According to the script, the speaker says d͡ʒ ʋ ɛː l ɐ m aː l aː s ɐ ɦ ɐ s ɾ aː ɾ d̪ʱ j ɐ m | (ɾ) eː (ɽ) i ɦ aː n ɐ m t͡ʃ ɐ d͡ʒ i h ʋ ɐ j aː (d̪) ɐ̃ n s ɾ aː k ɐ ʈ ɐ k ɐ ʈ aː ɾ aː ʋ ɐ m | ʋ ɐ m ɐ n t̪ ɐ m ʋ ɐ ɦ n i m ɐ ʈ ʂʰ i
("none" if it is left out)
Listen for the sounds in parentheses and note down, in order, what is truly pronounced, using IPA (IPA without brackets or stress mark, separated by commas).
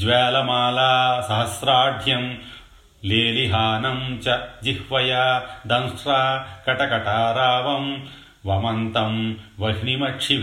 l, l, d̪